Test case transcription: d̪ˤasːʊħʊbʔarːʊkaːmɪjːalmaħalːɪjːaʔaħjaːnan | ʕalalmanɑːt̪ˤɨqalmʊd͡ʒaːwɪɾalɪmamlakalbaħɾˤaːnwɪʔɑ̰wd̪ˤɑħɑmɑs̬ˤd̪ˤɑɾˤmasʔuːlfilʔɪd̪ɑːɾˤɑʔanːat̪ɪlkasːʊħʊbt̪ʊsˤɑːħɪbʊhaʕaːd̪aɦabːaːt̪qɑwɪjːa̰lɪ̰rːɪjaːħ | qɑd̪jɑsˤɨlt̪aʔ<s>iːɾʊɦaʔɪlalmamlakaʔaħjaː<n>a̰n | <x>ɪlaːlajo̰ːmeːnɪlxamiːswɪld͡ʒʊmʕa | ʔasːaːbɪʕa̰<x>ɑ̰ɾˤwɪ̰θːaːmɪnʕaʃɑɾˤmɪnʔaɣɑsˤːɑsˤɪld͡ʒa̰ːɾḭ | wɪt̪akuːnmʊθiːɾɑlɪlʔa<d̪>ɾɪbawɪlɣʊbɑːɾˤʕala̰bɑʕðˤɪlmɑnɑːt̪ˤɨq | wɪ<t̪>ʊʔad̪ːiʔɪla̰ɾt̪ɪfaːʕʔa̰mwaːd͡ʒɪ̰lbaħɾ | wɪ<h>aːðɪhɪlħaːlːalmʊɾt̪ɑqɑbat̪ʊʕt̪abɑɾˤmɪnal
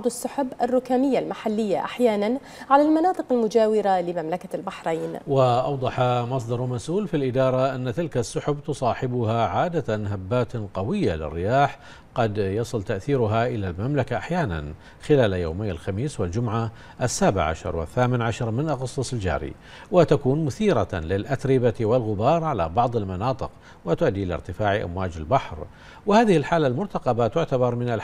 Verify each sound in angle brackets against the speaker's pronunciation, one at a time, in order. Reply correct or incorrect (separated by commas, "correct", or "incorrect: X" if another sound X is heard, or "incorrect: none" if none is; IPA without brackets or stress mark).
incorrect: θ, correct, correct, incorrect: ʃ, incorrect: t̪, correct, correct